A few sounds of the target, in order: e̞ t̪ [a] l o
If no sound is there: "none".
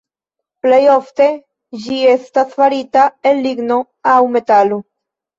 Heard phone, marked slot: a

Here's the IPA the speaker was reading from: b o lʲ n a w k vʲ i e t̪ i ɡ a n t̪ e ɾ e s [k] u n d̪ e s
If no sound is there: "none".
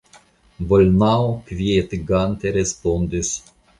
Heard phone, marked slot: p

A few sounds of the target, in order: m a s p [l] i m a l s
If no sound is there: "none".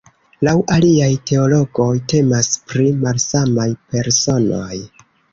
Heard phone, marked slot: ɾ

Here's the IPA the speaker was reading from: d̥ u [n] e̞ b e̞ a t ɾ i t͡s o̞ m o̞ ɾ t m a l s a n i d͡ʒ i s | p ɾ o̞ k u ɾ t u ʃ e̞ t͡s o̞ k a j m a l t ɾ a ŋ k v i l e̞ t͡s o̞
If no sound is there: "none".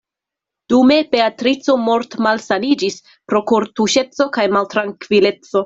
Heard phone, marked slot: m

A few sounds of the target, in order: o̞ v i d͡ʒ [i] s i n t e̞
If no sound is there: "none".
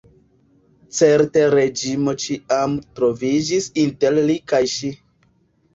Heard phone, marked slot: i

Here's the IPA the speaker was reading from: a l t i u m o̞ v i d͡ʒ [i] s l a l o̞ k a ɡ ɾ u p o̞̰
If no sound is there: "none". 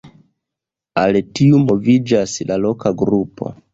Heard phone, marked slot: a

